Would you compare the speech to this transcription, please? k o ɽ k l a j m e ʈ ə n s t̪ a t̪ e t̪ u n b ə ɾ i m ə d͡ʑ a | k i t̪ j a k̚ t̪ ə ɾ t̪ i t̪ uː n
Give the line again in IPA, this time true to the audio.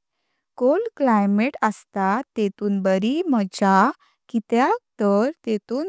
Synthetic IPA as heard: k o l k l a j m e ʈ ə s t̪ a t̪ e t̪ uː n b ə ɾ i m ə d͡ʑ a | k i t̪ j a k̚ t̪ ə ɾ t̪ e t̪ uː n